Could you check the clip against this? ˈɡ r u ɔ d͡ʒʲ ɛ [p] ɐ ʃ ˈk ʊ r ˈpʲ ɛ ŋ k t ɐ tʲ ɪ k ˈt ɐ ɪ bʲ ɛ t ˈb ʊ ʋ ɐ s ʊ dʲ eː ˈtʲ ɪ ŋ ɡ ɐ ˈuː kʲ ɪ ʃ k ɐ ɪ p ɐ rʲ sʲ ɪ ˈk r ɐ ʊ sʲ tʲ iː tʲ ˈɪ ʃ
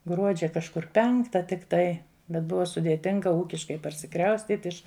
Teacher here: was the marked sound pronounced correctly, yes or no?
no